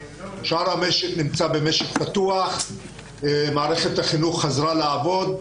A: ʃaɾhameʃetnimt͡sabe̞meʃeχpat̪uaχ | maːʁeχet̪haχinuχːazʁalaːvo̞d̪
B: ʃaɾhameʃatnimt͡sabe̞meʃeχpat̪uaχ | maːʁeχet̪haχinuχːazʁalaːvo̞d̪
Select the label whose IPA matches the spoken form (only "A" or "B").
A